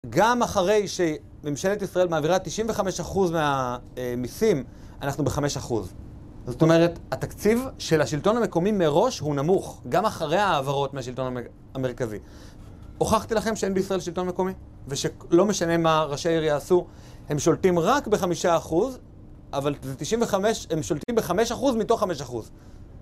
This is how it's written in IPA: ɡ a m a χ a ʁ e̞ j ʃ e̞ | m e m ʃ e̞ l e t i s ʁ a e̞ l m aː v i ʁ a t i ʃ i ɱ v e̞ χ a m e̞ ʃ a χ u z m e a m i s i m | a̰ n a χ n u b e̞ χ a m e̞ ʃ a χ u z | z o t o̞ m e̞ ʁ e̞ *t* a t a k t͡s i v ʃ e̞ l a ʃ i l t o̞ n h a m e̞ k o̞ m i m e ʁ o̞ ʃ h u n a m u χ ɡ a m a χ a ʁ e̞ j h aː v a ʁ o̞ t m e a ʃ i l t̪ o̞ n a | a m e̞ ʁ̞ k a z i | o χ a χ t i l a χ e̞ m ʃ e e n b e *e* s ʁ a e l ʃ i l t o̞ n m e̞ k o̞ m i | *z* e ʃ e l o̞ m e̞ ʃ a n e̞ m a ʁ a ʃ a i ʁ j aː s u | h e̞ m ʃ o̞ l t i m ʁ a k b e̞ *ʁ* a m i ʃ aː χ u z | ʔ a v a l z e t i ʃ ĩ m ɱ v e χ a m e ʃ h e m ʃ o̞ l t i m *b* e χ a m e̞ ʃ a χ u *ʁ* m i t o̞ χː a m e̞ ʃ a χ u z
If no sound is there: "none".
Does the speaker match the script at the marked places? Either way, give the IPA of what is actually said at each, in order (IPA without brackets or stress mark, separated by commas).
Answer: t, i, v, χ, b, z